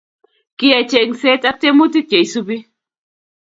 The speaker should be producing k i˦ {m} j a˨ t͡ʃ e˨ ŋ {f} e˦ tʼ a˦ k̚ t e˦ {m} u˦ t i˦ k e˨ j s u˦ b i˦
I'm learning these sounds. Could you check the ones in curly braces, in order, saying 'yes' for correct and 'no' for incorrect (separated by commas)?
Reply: no, no, yes